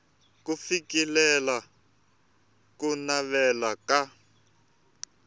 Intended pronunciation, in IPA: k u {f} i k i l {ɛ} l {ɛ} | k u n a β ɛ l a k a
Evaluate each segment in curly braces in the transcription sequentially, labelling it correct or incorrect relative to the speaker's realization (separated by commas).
correct, correct, incorrect